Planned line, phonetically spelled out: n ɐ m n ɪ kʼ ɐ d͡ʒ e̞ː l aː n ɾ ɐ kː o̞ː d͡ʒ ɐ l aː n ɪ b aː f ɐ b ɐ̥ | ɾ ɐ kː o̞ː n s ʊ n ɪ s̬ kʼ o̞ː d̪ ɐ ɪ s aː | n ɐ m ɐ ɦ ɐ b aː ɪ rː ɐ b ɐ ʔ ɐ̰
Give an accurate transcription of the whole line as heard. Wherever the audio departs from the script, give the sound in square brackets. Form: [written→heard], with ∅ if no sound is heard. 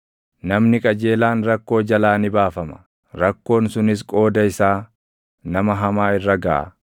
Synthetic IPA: n ɐ m n ɪ kʼ ɐ d͡ʒ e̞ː l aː n ɾ ɐ kː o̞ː d͡ʒ ɐ l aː n ɪ b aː f ɐ [b→m] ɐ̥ | ɾ ɐ kː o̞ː n s ʊ n ɪ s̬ kʼ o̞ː d̪ ɐ ɪ s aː | n ɐ m ɐ ɦ ɐ [b→m] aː ɪ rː ɐ [b→ɡ] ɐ ʔ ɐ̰